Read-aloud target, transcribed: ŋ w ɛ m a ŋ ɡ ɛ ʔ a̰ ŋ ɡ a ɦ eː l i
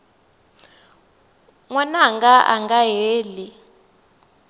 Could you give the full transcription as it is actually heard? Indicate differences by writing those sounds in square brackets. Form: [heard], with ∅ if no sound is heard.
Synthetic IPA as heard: ŋ w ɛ [n] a ŋ ɡ [a] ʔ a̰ ŋ ɡ a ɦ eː l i